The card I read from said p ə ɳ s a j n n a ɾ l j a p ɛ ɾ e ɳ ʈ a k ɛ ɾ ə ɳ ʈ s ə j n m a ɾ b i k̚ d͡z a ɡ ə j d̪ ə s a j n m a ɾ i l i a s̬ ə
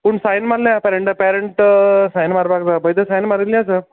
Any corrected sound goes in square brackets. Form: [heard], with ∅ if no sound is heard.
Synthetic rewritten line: p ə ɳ s a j n [m] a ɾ l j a p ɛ ɾ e ɳ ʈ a [p] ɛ ɾ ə ɳ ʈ s [a] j n m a ɾ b [a] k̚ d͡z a [b] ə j d̪ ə s a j n m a ɾ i l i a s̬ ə

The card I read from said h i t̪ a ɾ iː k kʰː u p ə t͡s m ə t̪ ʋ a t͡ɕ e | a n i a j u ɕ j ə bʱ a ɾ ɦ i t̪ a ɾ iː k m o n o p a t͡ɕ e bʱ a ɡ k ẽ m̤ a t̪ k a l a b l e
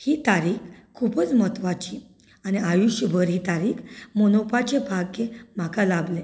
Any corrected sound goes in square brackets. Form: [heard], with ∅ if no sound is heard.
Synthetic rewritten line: h i t̪ a ɾ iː k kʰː u p ə t͡s m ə t̪ ʋ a t͡ɕ [i] | a n i a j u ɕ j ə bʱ [ə] ɾ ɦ i t̪ a ɾ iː k m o n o p a t͡ɕ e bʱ a ɡ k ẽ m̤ a [∅] k a l a b l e

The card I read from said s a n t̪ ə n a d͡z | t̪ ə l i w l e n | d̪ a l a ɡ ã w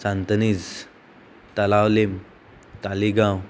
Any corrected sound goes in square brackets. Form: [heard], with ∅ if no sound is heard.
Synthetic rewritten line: s a n t̪ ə n [i] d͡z | t̪ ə l [a] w l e [m] | [t̪] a l [i] ɡ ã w

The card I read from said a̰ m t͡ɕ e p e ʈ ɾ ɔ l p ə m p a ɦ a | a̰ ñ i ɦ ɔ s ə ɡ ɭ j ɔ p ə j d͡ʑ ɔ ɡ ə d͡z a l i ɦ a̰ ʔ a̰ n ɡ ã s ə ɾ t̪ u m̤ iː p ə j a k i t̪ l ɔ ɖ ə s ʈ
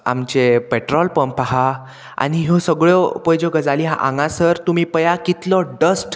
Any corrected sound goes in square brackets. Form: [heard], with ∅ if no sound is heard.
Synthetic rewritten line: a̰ m t͡ɕ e p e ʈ ɾ ɔ l p ə m p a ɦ a | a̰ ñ i ɦ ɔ s ə ɡ ɭ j ɔ p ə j d͡ʑ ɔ ɡ ə d͡z a l i ɦ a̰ ʔ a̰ [ŋ] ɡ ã s ə ɾ t̪ u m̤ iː p ə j a k i t̪ l ɔ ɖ ə s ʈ

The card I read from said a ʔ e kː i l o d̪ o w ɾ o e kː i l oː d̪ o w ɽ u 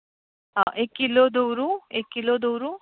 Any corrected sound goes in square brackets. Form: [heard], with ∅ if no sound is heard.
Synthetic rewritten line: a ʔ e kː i l o d̪ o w ɾ [u] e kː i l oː d̪ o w [ɾ] u

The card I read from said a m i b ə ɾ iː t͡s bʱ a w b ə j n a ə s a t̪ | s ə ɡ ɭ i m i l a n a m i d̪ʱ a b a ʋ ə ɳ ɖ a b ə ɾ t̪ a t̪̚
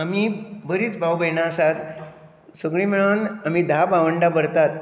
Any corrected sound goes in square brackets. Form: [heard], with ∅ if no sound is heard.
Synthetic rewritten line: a m i b ə ɾ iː t͡s bʱ a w b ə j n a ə s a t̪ | s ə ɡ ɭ i m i [ɭ] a n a m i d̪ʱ a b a ʋ ə ɳ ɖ a b ə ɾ t̪ a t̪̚

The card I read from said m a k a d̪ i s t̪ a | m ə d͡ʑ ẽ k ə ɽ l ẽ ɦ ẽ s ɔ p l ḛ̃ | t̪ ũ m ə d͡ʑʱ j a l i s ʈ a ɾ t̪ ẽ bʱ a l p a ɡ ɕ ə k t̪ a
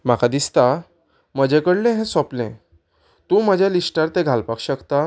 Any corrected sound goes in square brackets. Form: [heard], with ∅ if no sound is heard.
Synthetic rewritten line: m a k a d̪ i s t̪ a | m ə d͡ʑ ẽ k ə ɽ l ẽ ɦ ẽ s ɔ p l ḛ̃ | t̪ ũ m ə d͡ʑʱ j a l i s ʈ a ɾ t̪ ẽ [ɡʱ] a l p a [k] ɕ ə k t̪ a

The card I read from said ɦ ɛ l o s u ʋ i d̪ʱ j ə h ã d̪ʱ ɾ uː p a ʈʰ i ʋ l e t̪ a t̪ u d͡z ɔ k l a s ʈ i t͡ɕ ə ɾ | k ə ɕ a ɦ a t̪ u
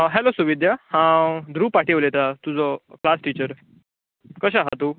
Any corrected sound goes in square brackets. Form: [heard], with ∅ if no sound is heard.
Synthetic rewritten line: ɦ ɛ l o s u ʋ i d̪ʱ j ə h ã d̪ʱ ɾ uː p a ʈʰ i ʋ l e t̪ a t̪ u d͡z ɔ k l a s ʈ i t͡ɕ ə ɾ | k ə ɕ a ɦ a t̪ u

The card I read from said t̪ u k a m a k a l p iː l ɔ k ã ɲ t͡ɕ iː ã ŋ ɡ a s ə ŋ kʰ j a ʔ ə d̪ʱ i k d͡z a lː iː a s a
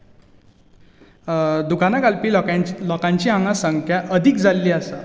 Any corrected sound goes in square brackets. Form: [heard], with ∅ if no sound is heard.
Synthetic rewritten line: [d̪] u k a [n] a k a l p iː l ɔ k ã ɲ t͡ɕ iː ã ŋ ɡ a s ə ŋ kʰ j a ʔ ə d̪ʱ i k d͡z a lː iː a s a

